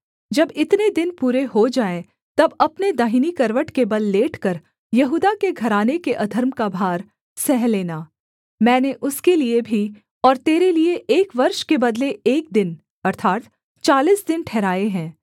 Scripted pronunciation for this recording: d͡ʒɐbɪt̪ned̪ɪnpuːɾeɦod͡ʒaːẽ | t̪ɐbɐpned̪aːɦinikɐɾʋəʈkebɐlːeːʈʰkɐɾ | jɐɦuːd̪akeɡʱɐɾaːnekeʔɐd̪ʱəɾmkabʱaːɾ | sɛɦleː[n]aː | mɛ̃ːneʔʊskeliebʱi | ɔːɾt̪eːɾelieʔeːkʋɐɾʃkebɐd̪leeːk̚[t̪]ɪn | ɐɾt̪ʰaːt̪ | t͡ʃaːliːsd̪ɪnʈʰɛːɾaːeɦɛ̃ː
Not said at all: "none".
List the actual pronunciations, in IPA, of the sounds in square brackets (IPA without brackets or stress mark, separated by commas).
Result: n, d̪